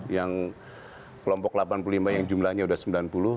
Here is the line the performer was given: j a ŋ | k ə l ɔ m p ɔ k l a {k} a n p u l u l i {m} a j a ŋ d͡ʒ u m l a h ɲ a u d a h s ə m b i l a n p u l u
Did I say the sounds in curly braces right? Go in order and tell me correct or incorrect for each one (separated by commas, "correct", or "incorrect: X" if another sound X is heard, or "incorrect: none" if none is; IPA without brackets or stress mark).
incorrect: p, correct